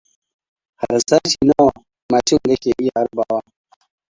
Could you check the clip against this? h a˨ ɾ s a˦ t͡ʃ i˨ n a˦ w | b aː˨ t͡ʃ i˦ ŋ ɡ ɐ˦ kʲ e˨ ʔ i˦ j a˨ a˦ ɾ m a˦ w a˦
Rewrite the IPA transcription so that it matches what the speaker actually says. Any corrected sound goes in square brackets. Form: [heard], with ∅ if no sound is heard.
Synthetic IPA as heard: h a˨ ɾ s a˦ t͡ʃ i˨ n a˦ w | [m] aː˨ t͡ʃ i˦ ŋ ɡ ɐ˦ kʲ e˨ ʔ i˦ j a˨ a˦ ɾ [b] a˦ w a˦